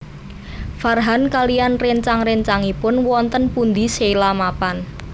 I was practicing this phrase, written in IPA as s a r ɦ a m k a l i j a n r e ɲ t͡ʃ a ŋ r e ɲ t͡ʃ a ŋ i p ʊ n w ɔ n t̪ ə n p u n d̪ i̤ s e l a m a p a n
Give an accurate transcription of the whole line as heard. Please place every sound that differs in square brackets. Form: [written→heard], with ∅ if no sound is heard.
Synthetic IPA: [s→f] a r ɦ a [m→n] k a l i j a n r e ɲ t͡ʃ a ŋ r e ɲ t͡ʃ a ŋ i p ʊ n w ɔ n t̪ ə n p u n d̪ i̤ s e l a m a p a n

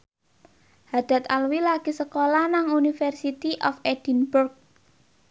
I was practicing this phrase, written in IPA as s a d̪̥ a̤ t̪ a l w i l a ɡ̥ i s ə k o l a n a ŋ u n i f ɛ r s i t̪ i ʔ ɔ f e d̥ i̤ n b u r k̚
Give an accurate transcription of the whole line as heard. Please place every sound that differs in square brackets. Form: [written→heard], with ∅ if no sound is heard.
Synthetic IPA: [s→h] a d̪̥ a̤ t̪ a l w i l a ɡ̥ i s ə k o l a n a ŋ u n i f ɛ r s i t̪ i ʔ ɔ f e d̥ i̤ n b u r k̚

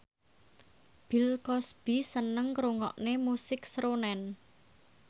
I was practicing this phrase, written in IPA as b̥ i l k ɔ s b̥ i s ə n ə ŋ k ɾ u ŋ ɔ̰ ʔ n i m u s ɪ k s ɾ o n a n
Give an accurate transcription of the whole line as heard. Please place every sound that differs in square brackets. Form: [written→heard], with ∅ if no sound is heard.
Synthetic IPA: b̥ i l k ɔ s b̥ i s ə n ə ŋ k ɾ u ŋ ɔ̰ ʔ n [i→e] m u s ɪ k s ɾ o n [a→ɛ] n

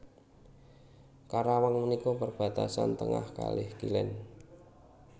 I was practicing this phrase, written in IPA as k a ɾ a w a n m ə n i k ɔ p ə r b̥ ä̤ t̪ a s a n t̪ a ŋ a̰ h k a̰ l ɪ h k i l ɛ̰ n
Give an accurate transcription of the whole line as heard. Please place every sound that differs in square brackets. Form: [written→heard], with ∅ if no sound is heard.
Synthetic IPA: k a ɾ a w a [n→ŋ] m ə n i k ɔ p ə r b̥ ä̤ t̪ a s a n t̪ [a→ə] ŋ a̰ h k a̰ l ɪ h k i l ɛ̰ n

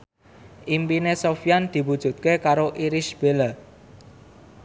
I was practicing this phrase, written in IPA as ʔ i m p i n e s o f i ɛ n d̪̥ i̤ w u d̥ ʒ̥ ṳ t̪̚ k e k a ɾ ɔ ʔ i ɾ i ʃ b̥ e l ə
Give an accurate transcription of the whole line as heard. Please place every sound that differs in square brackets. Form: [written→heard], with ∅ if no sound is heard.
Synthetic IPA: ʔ i m p i n e s o f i [ɛ→a] n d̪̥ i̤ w u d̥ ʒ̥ ṳ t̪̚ k e k a ɾ [ɔ→o] ʔ i ɾ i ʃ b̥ e l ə

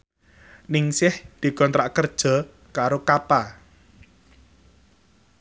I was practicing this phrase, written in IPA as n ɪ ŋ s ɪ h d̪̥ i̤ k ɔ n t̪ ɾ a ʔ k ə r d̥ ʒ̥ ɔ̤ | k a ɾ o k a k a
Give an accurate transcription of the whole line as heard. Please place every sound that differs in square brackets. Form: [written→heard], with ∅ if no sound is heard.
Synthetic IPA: n ɪ ŋ s ɪ h d̪̥ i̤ k ɔ n t̪ ɾ a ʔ k ə r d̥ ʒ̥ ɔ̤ | k a ɾ o k a [k→p] a

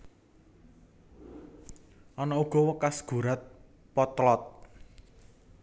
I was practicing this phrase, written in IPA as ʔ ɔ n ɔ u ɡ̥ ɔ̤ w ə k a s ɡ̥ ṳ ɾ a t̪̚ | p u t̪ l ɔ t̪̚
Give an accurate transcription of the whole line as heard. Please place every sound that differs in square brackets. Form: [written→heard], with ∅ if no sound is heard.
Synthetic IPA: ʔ ɔ n ɔ u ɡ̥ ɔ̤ w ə k a s ɡ̥ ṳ ɾ a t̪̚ | p [u→ɔ] t̪ l ɔ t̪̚

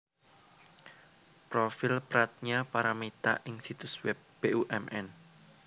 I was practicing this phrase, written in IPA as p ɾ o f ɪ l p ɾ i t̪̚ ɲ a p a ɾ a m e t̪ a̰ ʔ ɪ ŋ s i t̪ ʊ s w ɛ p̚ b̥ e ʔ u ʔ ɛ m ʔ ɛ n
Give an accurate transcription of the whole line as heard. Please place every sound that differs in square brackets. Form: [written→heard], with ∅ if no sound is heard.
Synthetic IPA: p ɾ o f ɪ l p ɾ [i→a] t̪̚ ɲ a p a ɾ a m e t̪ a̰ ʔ ɪ ŋ s i t̪ ʊ s w ɛ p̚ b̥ e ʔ u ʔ ɛ m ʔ ɛ n

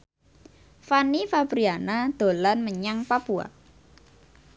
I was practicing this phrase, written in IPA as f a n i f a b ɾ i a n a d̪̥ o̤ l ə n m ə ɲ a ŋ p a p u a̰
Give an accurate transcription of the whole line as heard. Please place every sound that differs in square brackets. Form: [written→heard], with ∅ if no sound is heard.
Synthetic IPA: f a n i f a b ɾ i a n a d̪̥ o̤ l [ə→a] n m ə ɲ a ŋ p a p u a̰

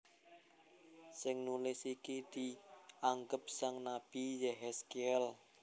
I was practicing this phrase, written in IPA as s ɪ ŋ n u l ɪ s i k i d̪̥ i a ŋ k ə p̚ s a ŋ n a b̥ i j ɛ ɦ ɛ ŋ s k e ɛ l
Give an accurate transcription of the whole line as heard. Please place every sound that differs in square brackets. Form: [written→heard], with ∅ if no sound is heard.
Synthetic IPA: s ɪ ŋ n u l ɪ s i k i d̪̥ i a ŋ [k→ɡ] ə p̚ s a ŋ n a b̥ i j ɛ ɦ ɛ [ŋ→∅] s k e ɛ l

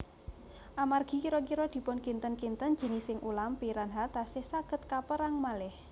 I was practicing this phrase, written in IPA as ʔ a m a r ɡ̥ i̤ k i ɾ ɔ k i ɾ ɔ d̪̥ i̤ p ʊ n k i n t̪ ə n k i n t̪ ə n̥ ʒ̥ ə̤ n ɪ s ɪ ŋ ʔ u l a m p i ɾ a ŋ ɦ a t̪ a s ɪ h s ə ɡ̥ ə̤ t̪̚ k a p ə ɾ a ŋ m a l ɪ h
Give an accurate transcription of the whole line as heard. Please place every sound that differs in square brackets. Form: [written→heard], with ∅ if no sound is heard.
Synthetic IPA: ʔ a m a r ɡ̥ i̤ k i ɾ ɔ k i ɾ ɔ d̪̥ i̤ p ʊ n k i n t̪ ə n k i n t̪ ə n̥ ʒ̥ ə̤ n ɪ s ɪ ŋ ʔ u l a m p i ɾ a [ŋ→n] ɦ a t̪ a s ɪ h s [ə→a] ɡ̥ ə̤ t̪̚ k a p ə ɾ a ŋ m a l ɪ h

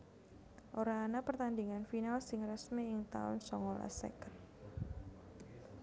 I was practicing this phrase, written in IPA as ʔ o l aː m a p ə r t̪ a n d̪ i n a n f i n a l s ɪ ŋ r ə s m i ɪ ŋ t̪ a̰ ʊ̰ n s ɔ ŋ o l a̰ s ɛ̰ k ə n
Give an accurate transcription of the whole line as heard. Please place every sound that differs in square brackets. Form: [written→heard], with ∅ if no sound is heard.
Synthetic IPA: ʔ o [l→ɾ] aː [m→n] a p ə r t̪ a n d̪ i [n→ŋ] a n f i n a l s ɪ ŋ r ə s m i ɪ ŋ t̪ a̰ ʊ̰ n s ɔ ŋ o l a̰ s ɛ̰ k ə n

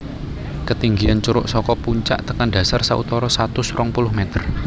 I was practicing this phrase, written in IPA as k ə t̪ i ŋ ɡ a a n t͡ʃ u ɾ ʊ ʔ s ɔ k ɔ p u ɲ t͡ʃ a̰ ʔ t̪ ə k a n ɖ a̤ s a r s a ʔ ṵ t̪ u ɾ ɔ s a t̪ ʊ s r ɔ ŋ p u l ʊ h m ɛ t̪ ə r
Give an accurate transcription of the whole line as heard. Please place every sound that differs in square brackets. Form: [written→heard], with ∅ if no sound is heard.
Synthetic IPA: k ə t̪ i ŋ ɡ [a→i] a n t͡ʃ u ɾ ʊ ʔ s ɔ k ɔ p u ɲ t͡ʃ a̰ ʔ t̪ ə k a n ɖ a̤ s a r s a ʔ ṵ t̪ [u→ɔ] ɾ ɔ s a t̪ ʊ s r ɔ ŋ p u l ʊ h m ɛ t̪ ə r

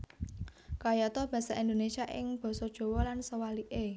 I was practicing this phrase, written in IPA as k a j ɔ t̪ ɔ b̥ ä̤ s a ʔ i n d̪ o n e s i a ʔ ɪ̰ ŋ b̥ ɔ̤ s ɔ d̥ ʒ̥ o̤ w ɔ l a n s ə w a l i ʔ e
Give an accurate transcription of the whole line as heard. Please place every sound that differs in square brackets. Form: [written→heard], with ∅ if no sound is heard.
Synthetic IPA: k a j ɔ t̪ ɔ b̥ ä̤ s a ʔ i n d̪ o n e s i a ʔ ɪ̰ ŋ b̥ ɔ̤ s ɔ d̥ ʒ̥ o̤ w ɔ l a n s ə w a l i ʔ e

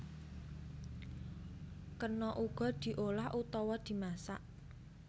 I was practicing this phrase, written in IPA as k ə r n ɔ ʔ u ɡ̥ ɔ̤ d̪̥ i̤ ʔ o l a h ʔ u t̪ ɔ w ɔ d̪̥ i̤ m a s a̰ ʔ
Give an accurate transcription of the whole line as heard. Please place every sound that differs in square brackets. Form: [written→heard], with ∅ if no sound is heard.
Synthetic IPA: k ə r n ɔ ʔ u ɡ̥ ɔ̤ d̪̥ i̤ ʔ o l a h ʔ u t̪ ɔ w ɔ d̪̥ i̤ m a s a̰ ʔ

